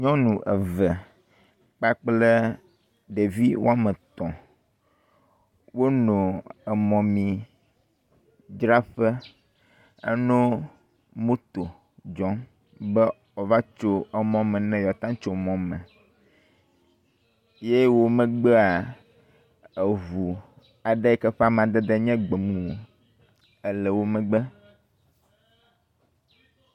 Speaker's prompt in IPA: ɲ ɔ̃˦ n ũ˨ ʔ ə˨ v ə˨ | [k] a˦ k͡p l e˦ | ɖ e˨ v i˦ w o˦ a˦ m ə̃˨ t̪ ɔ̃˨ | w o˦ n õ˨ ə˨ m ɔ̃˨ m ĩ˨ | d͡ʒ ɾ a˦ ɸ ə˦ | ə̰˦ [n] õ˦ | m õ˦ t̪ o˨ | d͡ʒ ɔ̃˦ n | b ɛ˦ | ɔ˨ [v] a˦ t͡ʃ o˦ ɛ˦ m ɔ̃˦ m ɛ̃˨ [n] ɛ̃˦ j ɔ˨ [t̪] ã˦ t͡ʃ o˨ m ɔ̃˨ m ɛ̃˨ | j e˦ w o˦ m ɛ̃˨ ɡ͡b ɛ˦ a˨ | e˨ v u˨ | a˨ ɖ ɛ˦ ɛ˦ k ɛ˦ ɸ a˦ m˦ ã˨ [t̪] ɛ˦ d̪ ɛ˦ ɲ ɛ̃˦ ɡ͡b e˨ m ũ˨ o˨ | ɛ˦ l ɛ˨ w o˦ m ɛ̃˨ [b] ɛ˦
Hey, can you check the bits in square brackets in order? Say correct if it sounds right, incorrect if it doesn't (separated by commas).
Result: incorrect, correct, correct, correct, correct, incorrect, incorrect